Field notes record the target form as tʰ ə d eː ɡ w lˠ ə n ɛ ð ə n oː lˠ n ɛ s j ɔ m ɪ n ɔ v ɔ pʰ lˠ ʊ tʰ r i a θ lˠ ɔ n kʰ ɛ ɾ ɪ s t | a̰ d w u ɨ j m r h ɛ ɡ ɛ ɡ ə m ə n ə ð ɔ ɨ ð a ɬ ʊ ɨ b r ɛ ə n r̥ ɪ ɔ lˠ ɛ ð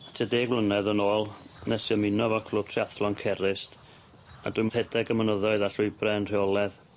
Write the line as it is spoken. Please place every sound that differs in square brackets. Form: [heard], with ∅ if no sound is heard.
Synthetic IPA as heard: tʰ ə d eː ɡ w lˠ ə n ɛ ð ə n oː lˠ n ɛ s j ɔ m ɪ n ɔ v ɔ [kʰ] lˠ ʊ tʰ r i a θ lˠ ɔ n kʰ ɛ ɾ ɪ s t | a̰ d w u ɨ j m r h ɛ [d] ɛ ɡ ə m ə n ə ð ɔ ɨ ð a ɬ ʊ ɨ b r ɛ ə n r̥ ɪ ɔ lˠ ɛ ð